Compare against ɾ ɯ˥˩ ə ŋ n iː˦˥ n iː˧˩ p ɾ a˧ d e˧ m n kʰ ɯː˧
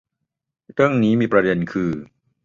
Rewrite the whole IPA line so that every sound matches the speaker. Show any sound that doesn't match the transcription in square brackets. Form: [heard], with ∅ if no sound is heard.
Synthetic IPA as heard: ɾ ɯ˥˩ ə ŋ n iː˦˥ [m] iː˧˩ p ɾ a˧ d e˧ [∅] n kʰ ɯː˧